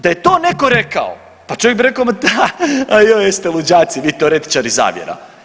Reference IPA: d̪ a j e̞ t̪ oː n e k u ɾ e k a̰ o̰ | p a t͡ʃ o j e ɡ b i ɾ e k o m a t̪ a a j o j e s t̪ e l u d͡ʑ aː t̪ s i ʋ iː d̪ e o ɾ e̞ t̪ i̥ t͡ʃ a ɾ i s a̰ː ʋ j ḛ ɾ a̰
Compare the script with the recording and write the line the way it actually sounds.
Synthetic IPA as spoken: d̪ a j e̞ t̪ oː n e k o ɾ e k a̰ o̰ | p a t͡ʃ o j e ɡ b i ɾ e k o m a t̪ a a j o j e s t̪ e l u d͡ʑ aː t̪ s i ʋ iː t̪ e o ɾ e̞ t̪ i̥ t͡ʃ a ɾ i z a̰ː ʋ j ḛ ɾ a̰